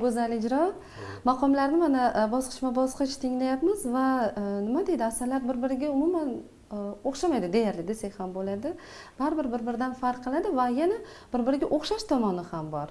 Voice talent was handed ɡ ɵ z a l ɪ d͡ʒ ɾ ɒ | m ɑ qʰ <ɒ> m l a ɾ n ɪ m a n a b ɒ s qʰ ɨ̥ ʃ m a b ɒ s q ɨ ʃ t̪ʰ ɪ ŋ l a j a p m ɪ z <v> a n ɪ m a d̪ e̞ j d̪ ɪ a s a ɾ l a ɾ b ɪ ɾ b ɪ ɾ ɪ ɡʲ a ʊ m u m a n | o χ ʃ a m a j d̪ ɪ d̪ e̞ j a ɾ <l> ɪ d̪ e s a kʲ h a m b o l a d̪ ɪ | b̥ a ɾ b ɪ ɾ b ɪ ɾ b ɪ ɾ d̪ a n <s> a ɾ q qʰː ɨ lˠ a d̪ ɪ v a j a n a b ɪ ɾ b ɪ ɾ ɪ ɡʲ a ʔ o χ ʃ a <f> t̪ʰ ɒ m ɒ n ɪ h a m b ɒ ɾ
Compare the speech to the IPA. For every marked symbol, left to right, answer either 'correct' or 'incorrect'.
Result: correct, correct, correct, incorrect, incorrect

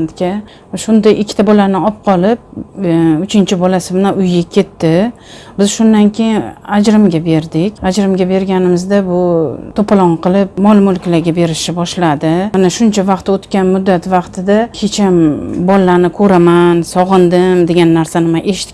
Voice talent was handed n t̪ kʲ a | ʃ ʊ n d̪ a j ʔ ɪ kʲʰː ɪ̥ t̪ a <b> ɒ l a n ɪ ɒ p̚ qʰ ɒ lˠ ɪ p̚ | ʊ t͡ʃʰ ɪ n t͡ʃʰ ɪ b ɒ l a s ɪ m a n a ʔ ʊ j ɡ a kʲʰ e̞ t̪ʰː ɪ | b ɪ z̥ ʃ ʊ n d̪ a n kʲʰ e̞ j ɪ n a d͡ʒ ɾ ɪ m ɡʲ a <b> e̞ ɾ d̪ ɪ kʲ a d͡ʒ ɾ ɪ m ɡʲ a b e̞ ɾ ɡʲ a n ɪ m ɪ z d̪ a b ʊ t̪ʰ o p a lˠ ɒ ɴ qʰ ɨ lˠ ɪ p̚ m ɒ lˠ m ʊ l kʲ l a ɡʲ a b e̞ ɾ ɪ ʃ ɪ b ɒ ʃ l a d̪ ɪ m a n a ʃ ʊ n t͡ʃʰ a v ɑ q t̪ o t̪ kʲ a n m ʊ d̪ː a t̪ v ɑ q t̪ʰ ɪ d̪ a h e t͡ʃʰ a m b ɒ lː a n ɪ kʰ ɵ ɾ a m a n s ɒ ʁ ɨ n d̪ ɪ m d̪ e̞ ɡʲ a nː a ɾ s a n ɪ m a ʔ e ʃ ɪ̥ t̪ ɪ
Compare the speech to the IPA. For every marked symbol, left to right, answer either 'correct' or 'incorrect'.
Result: correct, correct

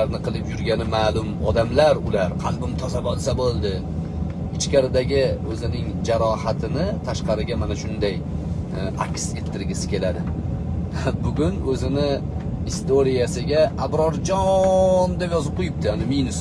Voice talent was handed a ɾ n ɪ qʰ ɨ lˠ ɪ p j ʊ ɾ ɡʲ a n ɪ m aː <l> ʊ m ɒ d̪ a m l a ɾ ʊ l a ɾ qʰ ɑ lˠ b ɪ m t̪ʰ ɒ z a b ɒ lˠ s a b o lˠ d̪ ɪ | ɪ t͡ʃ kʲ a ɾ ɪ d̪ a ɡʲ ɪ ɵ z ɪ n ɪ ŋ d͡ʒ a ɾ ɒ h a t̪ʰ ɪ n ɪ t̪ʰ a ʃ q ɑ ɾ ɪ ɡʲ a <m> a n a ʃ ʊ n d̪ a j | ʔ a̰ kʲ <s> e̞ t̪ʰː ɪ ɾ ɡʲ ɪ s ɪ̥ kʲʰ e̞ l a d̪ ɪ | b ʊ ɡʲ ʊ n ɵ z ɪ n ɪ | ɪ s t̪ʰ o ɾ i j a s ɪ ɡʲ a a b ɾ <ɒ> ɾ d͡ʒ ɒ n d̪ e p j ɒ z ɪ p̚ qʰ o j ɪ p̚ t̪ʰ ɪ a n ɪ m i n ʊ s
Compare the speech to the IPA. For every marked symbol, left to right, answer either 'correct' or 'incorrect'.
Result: correct, correct, correct, correct

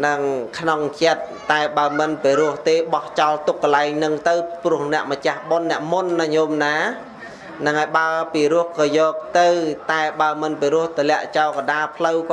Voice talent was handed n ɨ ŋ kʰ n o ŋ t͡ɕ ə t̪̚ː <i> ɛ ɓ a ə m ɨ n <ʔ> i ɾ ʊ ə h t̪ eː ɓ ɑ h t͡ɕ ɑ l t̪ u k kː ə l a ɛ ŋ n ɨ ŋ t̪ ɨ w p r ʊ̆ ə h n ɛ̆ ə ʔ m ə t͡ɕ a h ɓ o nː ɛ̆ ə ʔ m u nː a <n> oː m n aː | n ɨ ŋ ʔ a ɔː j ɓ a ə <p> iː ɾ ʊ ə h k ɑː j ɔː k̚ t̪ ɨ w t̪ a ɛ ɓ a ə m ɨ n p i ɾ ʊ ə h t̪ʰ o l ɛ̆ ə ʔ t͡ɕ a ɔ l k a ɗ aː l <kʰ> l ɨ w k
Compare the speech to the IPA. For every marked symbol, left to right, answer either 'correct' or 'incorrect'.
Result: incorrect, incorrect, incorrect, correct, incorrect

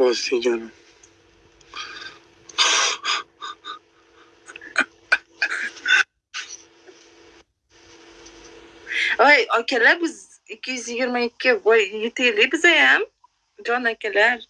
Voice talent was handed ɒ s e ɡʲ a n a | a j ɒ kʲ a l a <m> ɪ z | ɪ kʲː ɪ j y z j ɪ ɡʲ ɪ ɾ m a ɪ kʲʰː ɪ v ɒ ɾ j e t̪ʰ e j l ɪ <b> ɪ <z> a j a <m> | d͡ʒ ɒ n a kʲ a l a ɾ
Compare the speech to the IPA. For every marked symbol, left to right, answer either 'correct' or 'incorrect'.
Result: incorrect, correct, correct, correct

